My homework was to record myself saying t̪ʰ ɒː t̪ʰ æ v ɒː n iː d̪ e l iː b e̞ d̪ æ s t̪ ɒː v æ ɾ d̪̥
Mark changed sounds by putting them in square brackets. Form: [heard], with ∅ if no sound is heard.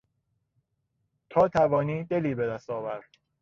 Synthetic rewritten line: t̪ʰ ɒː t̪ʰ æ v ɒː n iː d̪ e l iː b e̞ d̪ æ s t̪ ɒː v æ ɾ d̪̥